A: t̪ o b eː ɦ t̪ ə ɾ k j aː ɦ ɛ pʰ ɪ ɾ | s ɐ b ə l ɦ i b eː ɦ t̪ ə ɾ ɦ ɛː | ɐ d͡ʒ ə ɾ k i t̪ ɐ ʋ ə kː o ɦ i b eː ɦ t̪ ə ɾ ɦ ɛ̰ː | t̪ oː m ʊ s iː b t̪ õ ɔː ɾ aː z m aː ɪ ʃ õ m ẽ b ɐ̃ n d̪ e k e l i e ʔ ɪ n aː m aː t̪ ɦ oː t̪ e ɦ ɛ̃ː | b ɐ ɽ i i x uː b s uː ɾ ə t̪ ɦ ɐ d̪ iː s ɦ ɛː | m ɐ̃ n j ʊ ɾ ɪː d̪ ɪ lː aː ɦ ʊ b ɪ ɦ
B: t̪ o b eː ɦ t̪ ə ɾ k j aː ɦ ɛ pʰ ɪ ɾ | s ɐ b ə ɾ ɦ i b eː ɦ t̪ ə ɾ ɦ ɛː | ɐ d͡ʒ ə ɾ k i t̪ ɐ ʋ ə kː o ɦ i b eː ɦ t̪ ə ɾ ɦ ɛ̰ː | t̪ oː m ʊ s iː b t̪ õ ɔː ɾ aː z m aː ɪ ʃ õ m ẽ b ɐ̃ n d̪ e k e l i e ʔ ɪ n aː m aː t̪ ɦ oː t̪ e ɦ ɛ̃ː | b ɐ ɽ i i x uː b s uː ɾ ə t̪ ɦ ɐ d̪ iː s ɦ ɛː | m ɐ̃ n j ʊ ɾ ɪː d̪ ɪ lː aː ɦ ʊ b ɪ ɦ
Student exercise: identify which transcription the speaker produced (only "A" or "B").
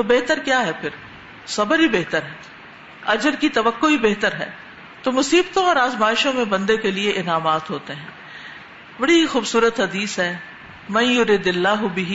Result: B